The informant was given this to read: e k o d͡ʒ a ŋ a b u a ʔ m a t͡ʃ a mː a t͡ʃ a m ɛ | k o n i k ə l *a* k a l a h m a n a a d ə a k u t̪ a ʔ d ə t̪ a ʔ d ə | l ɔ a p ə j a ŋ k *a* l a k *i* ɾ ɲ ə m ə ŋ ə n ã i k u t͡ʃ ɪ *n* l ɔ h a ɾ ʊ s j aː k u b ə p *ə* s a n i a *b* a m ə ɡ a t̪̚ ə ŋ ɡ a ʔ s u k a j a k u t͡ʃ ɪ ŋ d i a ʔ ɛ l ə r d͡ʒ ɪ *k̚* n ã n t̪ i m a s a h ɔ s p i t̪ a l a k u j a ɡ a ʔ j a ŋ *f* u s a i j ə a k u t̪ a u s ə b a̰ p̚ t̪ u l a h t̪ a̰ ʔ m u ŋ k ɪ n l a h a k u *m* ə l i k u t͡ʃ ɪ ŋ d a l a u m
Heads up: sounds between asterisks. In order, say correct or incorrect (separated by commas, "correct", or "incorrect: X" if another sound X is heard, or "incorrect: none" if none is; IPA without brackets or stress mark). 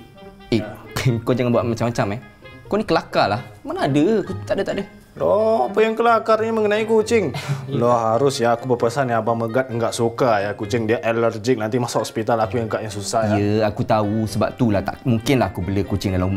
correct, incorrect: ə, incorrect: a, incorrect: ŋ, correct, correct, correct, incorrect: s, incorrect: b